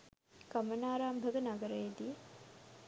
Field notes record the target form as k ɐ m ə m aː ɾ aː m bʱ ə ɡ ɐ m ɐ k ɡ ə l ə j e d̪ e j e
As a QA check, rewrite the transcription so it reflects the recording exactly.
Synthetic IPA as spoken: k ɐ m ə n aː ɾ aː m bʱ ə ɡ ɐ n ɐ ɡ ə ɾ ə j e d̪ i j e